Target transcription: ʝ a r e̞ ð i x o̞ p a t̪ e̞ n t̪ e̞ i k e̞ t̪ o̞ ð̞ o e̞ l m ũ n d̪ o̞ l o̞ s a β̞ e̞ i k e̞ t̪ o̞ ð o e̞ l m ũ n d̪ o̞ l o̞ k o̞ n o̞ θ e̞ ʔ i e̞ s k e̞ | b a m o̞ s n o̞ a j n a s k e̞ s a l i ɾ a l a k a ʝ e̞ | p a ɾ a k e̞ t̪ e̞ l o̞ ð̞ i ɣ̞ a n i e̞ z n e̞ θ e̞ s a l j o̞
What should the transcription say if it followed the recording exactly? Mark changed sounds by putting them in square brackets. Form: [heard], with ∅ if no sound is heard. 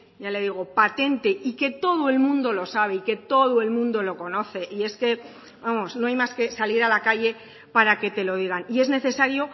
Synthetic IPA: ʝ a [l] e̞ ð i [ɣ] o̞ p a t̪ e̞ n t̪ e̞ i k e̞ t̪ o̞ ð̞ o e̞ l m ũ n d̪ o̞ l o̞ s a β̞ e̞ i k e̞ t̪ o̞ ð o e̞ l m ũ n d̪ o̞ l o̞ k o̞ n o̞ θ e̞ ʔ i e̞ s k e̞ | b a m o̞ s n o̞ a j [m] a s k e̞ s a l i ɾ a l a k a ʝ e̞ | p a ɾ a k e̞ t̪ e̞ l o̞ ð̞ i ɣ̞ a n i e̞ z n e̞ θ e̞ s a [ɾ] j o̞